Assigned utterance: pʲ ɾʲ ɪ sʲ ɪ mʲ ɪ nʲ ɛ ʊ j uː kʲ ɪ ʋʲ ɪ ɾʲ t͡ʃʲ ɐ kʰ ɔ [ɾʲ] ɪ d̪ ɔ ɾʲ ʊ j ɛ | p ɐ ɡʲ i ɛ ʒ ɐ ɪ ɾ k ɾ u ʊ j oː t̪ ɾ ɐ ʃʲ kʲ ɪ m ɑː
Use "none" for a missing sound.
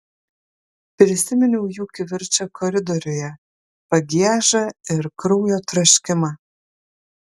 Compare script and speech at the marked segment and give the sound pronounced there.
ɾʲ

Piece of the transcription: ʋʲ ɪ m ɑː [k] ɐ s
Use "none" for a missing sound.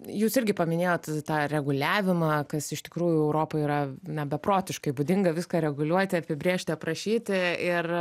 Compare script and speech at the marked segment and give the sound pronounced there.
k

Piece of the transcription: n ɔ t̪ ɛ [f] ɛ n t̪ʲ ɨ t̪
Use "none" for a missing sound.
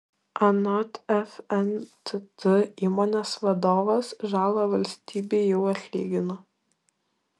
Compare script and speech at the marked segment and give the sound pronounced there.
f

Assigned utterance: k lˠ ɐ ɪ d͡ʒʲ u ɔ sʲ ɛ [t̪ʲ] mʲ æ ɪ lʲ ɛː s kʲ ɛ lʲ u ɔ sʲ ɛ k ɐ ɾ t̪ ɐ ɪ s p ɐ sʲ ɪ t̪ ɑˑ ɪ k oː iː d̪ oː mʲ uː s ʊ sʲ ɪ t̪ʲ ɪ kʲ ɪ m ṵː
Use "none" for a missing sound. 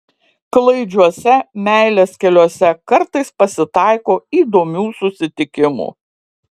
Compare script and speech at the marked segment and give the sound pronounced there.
none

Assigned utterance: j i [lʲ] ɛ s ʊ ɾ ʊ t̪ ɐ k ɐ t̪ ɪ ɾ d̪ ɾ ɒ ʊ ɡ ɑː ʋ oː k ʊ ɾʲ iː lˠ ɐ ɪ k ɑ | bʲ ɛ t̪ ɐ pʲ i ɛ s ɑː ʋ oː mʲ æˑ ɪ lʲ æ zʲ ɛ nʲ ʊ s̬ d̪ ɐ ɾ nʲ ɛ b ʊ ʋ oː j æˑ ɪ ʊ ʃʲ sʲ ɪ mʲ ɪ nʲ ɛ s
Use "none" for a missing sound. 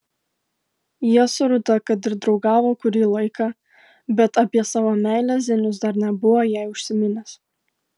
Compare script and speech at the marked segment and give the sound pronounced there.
none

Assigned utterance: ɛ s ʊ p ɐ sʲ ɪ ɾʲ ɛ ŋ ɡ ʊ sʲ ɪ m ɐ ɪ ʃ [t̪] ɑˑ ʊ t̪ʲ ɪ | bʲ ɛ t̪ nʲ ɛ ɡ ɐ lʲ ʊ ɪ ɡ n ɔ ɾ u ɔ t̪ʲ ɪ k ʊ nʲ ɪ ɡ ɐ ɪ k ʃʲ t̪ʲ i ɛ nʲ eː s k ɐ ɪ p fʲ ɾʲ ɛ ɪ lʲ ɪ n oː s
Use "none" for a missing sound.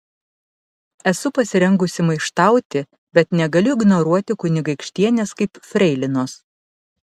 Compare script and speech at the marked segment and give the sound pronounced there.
t̪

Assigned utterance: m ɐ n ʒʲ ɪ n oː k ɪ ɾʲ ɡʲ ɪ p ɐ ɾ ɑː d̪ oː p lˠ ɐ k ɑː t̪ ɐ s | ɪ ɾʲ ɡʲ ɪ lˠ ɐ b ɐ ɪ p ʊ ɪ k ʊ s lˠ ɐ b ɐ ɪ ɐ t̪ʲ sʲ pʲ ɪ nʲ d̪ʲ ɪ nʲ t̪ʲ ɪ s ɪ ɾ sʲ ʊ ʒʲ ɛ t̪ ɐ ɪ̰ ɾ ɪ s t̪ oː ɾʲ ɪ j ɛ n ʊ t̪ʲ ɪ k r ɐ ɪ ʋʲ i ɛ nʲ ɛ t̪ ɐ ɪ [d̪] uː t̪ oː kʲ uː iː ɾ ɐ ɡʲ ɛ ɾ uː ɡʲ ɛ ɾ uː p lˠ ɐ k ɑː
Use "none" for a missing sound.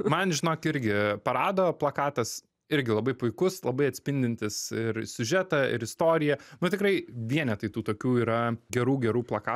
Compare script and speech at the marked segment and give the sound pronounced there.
t̪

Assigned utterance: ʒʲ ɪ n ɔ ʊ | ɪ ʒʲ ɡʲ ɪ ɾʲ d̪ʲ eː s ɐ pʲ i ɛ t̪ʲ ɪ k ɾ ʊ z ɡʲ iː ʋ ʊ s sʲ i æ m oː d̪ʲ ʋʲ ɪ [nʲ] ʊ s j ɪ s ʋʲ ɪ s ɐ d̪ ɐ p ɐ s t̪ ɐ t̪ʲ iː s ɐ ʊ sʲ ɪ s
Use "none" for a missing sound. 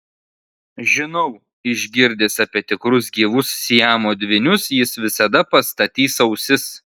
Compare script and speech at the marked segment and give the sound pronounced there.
nʲ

